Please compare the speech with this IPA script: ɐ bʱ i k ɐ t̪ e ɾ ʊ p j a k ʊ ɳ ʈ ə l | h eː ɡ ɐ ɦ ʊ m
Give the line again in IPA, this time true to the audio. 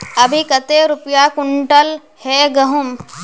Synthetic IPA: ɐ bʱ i k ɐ t̪ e ɾ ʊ p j a k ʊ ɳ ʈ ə l | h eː ɡ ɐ ɦ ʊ m